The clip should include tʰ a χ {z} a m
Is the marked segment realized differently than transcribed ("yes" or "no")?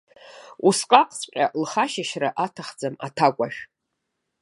yes